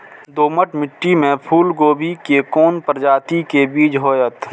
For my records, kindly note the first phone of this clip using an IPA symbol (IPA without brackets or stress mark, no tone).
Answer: d̪